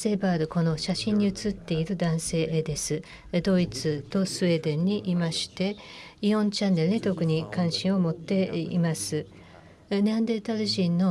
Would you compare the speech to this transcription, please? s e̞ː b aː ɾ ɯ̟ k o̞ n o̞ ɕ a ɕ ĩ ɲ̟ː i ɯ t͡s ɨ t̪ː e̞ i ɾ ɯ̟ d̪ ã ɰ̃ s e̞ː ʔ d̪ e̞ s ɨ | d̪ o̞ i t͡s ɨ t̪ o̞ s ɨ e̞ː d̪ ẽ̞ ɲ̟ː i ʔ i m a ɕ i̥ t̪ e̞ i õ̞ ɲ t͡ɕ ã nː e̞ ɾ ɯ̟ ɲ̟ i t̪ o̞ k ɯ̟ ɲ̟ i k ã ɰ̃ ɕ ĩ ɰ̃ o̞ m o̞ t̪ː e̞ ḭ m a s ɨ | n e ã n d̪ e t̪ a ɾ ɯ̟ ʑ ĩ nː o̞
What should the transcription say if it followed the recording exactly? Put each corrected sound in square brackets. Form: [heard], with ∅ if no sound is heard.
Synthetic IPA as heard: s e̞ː b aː ɾ ɯ̟ k o̞ n o̞ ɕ a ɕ ĩ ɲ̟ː i ɯ t͡s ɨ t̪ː e̞ i ɾ ɯ̟ d̪ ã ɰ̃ s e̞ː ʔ d̪ e̞ s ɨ | d̪ o̞ i t͡s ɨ t̪ o̞ s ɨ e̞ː d̪ ẽ̞ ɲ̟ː i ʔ i m a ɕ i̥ t̪ e̞ i õ̞ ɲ t͡ɕ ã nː e̞ ɾ ɯ̟ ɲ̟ i t̪ o̞ k ɯ̟ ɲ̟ i k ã ɰ̃ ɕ ĩ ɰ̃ o̞ m o̞ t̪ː e̞ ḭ m a s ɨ | n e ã n d̪ e t̪ a ɾ ɯ̟ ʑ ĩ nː o̞